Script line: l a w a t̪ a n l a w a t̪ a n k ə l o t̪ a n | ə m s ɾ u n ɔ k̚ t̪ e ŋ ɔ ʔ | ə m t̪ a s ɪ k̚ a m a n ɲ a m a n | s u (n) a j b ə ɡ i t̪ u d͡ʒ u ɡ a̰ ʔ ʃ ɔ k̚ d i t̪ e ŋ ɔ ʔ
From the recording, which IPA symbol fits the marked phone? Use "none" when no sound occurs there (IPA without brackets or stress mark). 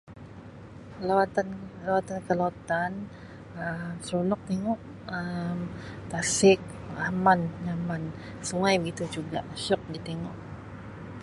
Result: ŋ